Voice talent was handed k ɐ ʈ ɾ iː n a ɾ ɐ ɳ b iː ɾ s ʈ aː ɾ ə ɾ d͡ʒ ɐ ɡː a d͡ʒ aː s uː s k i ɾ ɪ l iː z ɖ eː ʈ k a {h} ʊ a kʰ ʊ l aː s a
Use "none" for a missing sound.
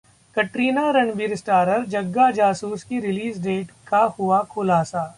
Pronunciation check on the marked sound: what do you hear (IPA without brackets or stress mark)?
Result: h